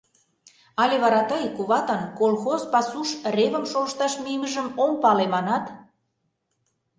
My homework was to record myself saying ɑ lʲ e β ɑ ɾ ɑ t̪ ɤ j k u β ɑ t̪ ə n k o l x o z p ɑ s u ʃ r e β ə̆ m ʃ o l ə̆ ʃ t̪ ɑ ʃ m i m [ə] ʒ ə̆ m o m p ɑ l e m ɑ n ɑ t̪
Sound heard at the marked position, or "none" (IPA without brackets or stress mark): ə